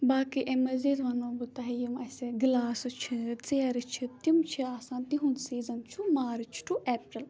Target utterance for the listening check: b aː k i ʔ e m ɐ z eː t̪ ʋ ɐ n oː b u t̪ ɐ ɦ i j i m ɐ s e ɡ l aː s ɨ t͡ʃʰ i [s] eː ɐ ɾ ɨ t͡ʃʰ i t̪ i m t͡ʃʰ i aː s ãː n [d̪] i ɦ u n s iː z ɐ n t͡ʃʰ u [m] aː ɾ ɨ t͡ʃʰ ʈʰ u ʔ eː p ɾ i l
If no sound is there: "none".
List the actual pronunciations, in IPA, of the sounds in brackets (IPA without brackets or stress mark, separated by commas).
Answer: t͡s, t̪, m